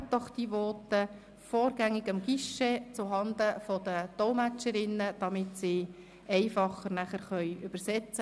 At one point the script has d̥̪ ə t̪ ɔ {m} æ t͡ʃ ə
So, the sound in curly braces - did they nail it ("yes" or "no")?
yes